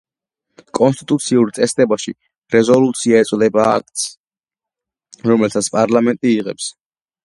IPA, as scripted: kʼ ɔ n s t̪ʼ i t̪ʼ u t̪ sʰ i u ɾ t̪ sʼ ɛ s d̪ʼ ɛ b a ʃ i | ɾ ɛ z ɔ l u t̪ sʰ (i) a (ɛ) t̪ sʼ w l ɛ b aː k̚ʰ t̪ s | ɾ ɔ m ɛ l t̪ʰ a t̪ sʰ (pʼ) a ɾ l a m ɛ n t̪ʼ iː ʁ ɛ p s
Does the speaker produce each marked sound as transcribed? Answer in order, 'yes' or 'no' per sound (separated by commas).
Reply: yes, yes, yes